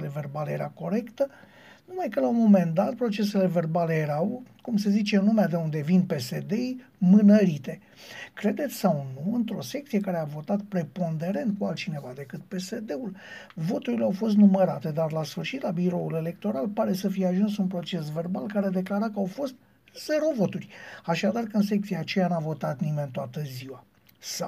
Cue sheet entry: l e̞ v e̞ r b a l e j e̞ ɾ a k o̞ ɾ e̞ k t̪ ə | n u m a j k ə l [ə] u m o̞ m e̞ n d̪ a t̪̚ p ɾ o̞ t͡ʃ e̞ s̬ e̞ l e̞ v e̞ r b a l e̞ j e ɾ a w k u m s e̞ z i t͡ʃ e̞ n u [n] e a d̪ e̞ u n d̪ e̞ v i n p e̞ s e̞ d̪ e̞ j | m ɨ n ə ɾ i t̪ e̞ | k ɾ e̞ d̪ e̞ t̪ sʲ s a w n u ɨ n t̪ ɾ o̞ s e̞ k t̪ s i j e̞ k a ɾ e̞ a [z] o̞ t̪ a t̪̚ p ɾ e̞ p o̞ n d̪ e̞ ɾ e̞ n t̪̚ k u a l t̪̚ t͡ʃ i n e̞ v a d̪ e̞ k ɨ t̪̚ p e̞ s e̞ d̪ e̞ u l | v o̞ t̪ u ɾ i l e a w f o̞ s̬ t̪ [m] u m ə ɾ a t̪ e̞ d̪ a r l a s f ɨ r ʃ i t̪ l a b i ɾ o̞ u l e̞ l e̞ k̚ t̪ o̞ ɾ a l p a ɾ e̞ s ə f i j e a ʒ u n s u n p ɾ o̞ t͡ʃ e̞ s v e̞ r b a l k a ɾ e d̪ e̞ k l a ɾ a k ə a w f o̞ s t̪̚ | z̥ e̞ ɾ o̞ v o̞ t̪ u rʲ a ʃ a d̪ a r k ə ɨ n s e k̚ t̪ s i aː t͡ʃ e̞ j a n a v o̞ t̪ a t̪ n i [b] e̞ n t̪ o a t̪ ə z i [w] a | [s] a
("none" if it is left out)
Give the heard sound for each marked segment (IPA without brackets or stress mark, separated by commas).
a, m, v, n, m, w, s